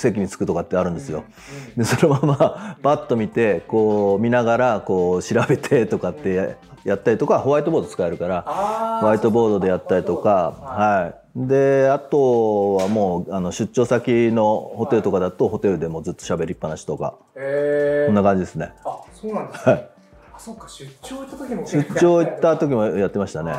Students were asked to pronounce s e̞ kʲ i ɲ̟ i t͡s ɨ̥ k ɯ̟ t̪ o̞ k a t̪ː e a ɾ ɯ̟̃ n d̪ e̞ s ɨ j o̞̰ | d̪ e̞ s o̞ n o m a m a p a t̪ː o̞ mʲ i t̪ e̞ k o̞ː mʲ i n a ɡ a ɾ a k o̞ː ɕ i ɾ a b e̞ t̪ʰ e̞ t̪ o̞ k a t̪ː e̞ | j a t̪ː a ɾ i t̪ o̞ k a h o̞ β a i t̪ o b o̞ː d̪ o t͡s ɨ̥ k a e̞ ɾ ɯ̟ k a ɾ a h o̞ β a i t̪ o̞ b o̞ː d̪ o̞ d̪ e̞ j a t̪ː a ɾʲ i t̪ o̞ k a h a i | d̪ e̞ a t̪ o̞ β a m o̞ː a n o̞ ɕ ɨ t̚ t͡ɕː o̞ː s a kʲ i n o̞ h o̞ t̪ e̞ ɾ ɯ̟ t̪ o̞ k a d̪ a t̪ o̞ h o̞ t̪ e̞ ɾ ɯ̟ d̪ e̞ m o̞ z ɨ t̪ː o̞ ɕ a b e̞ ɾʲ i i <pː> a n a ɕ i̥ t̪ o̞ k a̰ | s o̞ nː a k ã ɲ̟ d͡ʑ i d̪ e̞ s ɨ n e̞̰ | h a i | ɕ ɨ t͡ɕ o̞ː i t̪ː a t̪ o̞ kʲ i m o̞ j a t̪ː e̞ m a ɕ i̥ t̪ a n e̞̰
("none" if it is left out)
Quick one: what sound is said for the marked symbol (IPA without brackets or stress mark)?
pː